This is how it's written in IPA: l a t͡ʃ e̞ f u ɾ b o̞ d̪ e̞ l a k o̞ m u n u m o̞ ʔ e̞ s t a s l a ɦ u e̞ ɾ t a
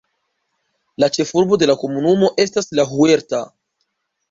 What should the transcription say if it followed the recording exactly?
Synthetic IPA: l a t͡ʃ e̞ f u ɾ b o̞ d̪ e̞ l a k o̞ m u n u m o̞ ʔ e̞ s t a s l a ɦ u e̞ ɾ t a